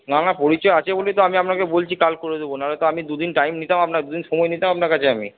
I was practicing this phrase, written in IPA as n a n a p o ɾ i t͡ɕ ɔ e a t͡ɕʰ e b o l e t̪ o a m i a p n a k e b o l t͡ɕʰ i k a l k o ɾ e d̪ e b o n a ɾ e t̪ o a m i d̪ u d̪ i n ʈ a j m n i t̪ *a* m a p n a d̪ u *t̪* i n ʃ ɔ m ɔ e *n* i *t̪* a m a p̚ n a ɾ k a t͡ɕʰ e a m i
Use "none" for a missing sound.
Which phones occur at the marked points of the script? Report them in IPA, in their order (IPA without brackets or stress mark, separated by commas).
a, d̪, n, t̪